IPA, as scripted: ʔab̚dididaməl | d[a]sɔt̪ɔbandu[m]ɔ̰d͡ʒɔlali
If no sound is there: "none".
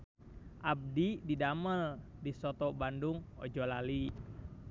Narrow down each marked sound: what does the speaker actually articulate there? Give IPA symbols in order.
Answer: i, ŋ

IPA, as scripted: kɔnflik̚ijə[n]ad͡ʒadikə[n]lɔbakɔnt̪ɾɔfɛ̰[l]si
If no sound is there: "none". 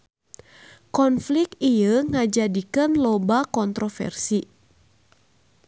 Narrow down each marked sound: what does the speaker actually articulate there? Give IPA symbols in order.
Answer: ŋ, n, r

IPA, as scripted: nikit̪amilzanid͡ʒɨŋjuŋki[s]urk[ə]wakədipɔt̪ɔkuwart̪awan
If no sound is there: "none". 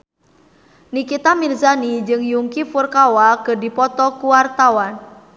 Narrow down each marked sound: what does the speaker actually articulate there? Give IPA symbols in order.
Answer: f, a

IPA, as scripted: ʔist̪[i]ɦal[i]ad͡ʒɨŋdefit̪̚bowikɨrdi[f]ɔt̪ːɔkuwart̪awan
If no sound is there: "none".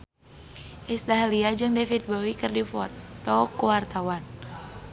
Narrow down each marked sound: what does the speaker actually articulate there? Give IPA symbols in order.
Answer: a, i, f

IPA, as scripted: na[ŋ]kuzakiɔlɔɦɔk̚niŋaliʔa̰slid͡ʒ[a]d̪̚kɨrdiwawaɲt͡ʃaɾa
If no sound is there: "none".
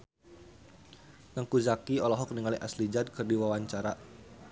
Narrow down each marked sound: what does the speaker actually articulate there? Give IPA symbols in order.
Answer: ŋ, a

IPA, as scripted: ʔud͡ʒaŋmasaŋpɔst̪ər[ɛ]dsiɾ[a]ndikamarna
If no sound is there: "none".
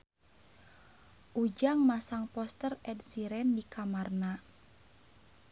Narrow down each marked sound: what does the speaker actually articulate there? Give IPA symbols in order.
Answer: ɛ, ɛ

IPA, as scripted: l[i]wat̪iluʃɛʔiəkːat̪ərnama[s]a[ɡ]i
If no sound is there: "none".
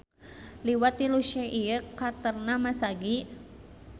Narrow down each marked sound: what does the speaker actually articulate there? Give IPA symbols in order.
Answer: i, s, ɡ

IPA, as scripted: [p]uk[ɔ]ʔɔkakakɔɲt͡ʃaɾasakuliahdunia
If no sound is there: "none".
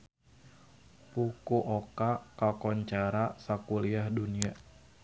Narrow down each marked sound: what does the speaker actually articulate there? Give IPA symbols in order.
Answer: p, u

